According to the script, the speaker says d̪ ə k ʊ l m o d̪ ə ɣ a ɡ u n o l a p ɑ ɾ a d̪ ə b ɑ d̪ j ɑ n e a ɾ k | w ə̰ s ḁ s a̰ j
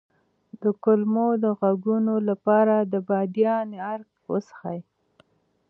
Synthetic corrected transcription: d̪ ə k ʊ l m o d̪ ə ɣ a ɡ u n o l a p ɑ ɾ a d̪ ə b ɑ d̪ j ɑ n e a ɾ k | w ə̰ s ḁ x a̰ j